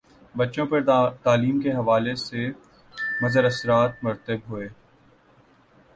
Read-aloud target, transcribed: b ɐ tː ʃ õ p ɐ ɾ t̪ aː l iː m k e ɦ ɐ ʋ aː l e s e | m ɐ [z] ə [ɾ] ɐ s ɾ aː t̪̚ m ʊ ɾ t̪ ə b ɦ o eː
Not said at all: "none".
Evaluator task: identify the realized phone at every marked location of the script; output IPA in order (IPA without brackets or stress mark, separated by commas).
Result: z, ɾ